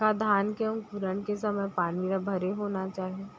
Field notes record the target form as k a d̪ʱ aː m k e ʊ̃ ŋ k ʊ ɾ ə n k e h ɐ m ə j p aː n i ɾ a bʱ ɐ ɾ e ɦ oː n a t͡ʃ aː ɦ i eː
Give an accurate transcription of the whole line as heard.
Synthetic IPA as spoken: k a d̪ʱ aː n k e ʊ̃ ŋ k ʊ ɾ ə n k e s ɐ m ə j p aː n i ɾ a bʱ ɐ ɾ e ɦ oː n a t͡ʃ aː ɦ i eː